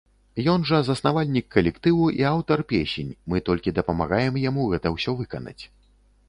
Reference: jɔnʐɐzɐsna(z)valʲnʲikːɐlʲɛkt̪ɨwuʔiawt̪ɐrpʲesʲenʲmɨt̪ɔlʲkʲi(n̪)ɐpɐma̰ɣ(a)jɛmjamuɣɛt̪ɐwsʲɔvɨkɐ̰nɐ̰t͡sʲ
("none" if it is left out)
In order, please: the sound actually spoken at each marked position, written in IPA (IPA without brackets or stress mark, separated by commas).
none, d̪, a